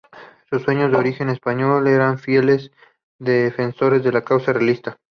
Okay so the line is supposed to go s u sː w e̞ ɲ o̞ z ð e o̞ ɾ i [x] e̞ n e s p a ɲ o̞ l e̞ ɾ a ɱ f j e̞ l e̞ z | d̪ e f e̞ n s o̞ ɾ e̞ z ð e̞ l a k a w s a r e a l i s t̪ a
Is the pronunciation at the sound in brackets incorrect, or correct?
correct